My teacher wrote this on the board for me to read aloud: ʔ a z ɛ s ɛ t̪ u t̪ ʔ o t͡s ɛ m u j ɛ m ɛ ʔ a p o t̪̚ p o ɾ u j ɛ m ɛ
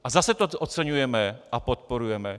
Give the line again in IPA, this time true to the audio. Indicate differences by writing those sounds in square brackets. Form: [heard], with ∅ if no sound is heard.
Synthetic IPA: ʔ a z [a] s ɛ t̪ [o] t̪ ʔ o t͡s ɛ [ɲ] u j ɛ m ɛ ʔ a p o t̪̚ p o ɾ u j ɛ m ɛ